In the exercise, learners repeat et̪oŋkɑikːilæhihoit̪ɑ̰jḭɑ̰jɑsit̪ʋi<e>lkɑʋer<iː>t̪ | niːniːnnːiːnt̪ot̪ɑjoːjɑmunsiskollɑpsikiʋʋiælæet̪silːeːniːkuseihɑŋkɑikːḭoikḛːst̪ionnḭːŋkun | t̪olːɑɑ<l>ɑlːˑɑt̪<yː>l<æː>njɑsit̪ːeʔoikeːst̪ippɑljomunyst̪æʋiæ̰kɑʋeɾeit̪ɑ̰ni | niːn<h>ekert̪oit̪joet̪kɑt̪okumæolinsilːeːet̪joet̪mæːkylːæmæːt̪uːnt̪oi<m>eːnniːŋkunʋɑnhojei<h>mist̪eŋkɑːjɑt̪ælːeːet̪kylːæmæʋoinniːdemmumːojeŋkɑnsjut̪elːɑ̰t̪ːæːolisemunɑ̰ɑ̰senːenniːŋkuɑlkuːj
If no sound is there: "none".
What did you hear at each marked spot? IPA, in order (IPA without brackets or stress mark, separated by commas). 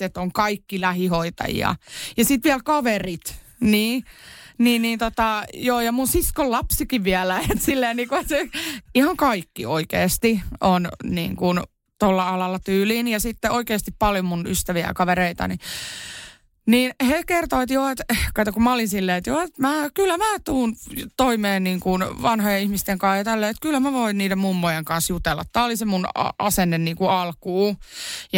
æ, i, l, yː, iː, h, m, h